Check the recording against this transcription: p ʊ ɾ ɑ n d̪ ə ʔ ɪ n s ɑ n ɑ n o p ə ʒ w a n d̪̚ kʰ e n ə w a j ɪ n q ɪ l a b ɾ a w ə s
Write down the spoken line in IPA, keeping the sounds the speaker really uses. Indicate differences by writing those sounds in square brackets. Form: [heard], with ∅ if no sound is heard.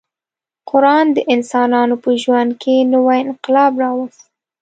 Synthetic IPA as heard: [q] ʊ ɾ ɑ n d̪ ə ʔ ɪ n s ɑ n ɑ n o p ə ʒ w a n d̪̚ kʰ e n ə w a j ɪ n q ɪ l [ɑ] b ɾ [ɑ] w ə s